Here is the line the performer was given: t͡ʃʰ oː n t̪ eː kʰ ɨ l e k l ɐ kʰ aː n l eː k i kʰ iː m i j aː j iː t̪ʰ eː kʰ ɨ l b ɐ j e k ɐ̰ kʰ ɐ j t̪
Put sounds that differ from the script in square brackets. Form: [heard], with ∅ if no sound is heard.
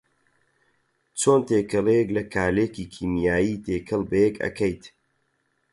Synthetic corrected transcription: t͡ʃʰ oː n t̪ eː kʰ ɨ l e k l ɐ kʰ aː [∅] l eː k i kʰ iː m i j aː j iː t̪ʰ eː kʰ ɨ l b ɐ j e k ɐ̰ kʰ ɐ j t̪